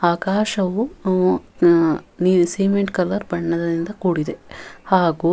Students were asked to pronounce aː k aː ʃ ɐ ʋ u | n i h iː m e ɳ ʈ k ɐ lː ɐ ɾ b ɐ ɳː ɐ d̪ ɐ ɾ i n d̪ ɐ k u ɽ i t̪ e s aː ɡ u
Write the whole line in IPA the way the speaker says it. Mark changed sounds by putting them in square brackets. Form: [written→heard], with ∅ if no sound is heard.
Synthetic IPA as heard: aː k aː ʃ ɐ ʋ u | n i [h→s] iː m e ɳ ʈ k ɐ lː ɐ ɾ b ɐ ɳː ɐ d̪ ɐ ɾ i n d̪ ɐ k [u→uː] ɽ i [t̪→d̪] e [s→h] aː ɡ u